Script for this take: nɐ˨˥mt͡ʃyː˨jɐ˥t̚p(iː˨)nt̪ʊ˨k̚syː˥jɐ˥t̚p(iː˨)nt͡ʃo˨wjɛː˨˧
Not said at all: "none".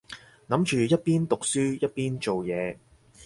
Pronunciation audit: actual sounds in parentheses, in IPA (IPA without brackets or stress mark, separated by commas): iː˥, iː˥